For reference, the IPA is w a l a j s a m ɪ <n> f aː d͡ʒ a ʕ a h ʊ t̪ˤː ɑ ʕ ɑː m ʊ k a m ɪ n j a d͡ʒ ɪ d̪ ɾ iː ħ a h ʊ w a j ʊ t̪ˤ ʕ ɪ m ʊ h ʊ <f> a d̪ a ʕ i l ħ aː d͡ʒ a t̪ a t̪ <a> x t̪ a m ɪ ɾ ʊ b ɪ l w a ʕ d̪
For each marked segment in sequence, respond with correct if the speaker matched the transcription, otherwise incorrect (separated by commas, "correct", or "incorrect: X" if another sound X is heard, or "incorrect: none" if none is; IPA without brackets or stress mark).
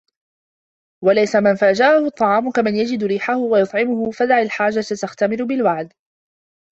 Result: correct, correct, correct